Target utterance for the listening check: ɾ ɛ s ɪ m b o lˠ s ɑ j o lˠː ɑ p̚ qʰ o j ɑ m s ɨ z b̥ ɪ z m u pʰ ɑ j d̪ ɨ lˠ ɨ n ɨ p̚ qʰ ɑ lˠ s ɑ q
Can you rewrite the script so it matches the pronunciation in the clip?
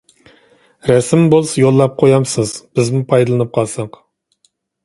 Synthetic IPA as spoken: ɾ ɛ s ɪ m b o lˠ s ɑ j o lˠː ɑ p̚ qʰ o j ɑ m s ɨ z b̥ ɪ z m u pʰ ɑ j d̪ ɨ lˠ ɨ n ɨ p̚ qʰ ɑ lˠ s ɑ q